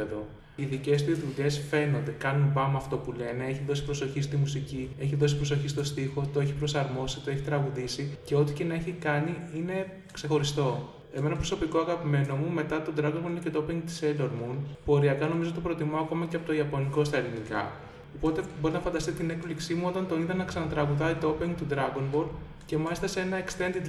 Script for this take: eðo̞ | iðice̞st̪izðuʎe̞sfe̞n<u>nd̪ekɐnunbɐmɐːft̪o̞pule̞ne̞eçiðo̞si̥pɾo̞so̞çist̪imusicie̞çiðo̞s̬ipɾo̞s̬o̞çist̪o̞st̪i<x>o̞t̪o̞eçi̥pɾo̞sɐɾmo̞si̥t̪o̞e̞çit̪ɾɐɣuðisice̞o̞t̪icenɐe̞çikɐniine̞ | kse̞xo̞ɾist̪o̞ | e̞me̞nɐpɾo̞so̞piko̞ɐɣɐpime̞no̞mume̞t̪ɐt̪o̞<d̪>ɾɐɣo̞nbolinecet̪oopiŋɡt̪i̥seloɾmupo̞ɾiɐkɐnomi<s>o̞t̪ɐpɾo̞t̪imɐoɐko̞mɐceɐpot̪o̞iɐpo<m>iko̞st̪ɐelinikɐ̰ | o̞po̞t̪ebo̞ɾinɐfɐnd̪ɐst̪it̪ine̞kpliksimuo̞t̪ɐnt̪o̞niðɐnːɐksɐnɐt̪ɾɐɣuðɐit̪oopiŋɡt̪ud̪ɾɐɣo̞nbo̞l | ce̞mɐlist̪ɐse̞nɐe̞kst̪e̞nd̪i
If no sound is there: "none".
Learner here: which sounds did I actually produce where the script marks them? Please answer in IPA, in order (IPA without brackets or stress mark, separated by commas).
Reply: o, x, d̪, z, n